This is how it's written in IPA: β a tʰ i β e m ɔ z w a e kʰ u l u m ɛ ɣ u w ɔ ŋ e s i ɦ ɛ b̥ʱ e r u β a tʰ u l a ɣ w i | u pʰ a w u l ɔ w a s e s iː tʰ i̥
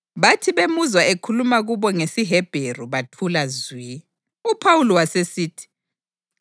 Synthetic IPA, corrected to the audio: β a tʰ i β e m u z w a e kʰ u l u m a ɣ u β ɔ ŋ e s i ɦ ɛ b̥ʱ e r u β a tʰ u l a z w i | u pʰ a w u l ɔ w a s e s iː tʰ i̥